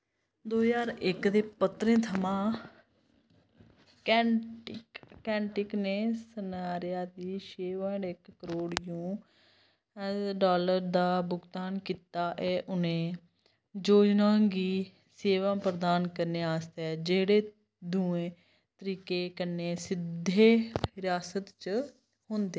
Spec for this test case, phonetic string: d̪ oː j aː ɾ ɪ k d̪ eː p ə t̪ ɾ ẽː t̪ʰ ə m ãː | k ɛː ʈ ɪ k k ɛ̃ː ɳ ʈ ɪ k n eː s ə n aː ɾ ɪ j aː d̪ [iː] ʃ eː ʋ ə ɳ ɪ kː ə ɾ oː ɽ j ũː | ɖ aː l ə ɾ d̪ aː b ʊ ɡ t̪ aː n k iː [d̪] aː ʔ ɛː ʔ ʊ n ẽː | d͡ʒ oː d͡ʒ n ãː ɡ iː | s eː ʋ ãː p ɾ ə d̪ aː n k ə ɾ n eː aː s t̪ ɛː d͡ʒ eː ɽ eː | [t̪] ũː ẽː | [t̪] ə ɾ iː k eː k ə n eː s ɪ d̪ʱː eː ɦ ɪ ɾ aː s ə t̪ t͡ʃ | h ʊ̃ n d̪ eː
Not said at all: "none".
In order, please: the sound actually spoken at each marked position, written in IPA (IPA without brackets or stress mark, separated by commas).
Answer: iː, t̪, d̪, t̪